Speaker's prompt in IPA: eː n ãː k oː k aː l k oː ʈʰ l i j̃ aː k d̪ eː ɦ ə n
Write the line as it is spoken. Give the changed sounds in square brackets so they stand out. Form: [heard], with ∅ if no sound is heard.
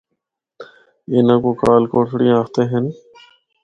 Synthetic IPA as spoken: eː n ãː k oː k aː l k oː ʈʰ [ɽ] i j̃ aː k [t̪] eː ɦ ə n